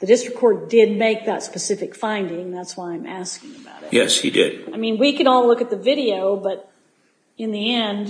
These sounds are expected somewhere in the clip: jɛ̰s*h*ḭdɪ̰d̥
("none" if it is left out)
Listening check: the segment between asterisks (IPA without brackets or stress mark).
h